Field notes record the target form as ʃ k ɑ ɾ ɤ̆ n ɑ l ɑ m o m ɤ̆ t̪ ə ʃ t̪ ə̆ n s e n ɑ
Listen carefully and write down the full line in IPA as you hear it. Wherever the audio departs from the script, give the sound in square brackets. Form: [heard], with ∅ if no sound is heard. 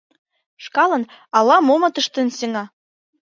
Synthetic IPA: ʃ k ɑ [l] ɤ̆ n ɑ l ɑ m o m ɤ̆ t̪ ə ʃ t̪ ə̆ n s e [ŋ] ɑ